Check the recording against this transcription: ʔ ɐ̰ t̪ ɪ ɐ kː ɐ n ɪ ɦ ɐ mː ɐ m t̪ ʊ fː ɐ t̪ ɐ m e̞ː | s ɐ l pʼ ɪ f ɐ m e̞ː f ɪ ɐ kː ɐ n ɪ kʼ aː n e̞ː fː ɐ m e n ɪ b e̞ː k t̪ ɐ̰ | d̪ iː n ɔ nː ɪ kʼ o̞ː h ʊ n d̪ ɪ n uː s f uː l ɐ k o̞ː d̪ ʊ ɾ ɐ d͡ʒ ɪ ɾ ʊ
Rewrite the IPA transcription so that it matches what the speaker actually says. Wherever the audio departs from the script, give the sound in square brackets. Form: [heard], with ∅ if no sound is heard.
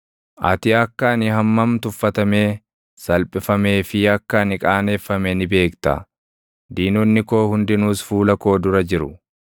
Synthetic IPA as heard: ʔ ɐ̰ t̪ ɪ ɐ kː ɐ n ɪ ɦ ɐ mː ɐ m t̪ ʊ fː ɐ t̪ ɐ m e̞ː | s ɐ l pʼ ɪ f ɐ m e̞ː f ɪ ɐ kː ɐ n ɪ kʼ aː n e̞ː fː ɐ m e n ɪ b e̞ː k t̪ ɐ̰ | d̪ iː n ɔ nː ɪ [k] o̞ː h ʊ n d̪ ɪ n uː s f uː l ɐ k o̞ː d̪ ʊ ɾ ɐ d͡ʒ ɪ ɾ ʊ